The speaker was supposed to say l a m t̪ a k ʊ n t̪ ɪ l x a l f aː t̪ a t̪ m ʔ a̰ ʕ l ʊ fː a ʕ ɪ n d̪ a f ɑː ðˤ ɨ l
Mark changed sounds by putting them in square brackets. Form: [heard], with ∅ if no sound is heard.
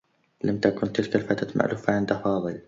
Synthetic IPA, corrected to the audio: l a m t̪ a k ʊ n t̪ ɪ l [k] a l f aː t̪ a t̪ m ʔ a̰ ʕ l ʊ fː a ʕ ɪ n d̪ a f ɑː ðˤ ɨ l